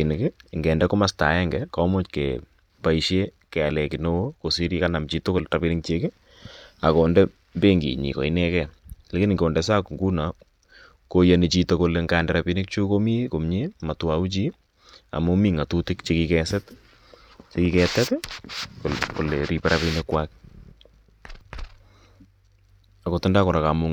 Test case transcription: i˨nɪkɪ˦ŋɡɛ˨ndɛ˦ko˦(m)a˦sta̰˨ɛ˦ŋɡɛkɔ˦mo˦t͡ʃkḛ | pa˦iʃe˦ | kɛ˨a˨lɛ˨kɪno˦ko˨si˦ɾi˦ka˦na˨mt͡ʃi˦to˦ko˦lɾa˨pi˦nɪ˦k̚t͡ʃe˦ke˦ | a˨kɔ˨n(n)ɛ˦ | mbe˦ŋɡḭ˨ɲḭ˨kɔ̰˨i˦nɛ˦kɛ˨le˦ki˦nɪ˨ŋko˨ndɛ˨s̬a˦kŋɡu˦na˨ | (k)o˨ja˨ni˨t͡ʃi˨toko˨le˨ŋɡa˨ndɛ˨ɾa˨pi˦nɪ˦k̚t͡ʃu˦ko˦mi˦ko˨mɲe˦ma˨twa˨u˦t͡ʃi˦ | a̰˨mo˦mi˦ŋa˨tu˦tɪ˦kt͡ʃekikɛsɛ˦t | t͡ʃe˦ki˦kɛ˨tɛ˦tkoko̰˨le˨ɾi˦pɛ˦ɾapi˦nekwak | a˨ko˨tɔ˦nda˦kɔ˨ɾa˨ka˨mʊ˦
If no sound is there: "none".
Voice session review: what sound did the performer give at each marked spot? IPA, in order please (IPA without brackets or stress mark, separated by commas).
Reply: m, d, k